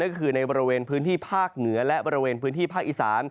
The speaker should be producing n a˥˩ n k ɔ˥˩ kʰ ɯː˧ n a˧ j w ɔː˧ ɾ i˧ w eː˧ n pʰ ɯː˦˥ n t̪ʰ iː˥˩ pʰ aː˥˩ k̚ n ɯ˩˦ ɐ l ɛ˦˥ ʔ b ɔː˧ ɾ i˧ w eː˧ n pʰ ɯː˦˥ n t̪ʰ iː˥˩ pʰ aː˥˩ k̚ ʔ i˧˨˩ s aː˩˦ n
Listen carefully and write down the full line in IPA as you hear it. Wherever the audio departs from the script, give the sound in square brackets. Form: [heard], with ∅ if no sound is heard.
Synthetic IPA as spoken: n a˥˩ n k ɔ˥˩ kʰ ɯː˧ n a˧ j [b] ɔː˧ ɾ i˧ w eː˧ n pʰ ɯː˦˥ n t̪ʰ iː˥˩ pʰ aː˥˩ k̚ n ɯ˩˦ ɐ l ɛ˦˥ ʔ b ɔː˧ ɾ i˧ w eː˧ n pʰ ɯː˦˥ n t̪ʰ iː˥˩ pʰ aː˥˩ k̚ ʔ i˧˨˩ s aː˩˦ n